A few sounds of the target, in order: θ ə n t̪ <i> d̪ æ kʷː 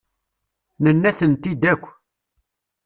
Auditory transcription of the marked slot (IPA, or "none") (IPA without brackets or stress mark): i